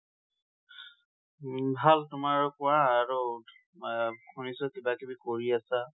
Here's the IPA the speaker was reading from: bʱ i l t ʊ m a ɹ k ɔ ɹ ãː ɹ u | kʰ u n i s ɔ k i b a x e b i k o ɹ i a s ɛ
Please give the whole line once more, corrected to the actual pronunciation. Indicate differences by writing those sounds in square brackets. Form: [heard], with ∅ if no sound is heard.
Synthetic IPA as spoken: bʱ [a] l t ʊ m a ɹ k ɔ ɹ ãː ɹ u | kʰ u n i s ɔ k i b a [k] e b i k o ɹ i a s [a]